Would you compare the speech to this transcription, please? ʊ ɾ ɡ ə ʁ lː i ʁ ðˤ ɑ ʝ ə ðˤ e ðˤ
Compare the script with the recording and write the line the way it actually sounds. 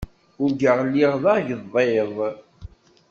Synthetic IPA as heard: ʊ ɾ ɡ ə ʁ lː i ʁ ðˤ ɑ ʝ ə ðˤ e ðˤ